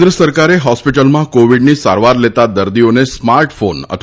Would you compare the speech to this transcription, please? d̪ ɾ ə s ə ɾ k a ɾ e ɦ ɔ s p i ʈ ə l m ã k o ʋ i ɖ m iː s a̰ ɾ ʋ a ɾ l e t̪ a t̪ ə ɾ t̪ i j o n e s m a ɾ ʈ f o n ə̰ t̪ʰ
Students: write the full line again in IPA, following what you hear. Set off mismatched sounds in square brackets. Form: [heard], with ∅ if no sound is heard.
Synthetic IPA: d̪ ɾ ə s ə ɾ k a ɾ e ɦ ɔ s p i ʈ ə l m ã k o ʋ i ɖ [n] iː s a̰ ɾ ʋ a ɾ l e t̪ a [d̪] ə ɾ [d̪] i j o n e s m a ɾ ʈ f o n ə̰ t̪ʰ